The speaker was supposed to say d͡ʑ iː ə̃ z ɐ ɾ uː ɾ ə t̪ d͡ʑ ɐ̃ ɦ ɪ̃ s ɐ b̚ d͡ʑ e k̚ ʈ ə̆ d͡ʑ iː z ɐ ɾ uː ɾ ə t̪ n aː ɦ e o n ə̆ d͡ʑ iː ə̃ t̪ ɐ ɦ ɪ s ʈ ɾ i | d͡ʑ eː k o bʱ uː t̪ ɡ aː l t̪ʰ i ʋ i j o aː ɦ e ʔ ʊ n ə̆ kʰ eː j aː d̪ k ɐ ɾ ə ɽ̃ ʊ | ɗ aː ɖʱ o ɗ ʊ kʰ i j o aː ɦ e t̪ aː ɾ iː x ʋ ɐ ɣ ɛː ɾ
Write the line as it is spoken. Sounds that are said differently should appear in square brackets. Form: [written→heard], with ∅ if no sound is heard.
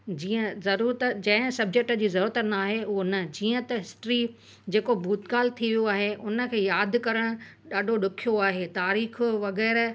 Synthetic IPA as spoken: d͡ʑ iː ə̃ z ɐ ɾ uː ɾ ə t̪ d͡ʑ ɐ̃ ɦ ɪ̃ s ɐ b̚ d͡ʑ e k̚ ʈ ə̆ d͡ʑ iː z ɐ ɾ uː ɾ ə t̪ n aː ɦ e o n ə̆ d͡ʑ iː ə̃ t̪ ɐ ɦ ɪ s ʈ ɾ i | d͡ʑ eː k o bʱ uː t̪ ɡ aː l t̪ʰ i ʋ i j o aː ɦ e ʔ ʊ n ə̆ kʰ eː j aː d̪ k ɐ ɾ ə ɽ̃ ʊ | ɗ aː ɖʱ o ɗ ʊ kʰ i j o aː ɦ e t̪ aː ɾ iː x ʋ ɐ ɣ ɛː ɾ